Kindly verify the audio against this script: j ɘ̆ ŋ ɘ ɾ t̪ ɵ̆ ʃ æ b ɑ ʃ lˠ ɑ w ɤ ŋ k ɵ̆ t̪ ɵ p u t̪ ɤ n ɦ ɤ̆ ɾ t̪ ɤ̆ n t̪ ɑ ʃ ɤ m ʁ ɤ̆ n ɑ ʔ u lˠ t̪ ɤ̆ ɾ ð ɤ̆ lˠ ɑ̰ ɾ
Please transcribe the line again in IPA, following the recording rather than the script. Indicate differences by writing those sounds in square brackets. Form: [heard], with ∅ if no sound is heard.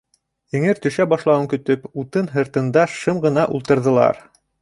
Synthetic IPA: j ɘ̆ ŋ ɘ ɾ t̪ ɵ̆ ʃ æ b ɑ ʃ lˠ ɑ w ɤ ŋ k ɵ̆ t̪ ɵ p u t̪ ɤ n ɦ ɤ̆ ɾ t̪ ɤ̆ n [d̪] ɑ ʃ ɤ m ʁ ɤ̆ n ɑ ʔ u lˠ t̪ ɤ̆ ɾ ð ɤ̆ lˠ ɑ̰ ɾ